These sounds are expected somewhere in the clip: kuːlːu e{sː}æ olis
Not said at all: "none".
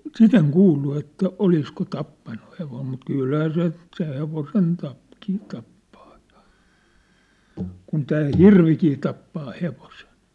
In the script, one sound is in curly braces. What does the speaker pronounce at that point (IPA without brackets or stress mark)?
tː